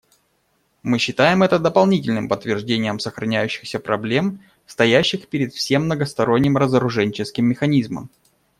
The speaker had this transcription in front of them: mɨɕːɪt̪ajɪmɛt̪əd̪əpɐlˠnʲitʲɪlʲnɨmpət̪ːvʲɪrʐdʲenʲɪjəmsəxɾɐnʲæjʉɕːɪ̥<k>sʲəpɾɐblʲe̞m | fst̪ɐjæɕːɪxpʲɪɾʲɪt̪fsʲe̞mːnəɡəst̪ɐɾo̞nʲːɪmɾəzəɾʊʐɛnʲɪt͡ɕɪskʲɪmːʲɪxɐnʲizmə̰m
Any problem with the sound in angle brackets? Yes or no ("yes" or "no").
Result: yes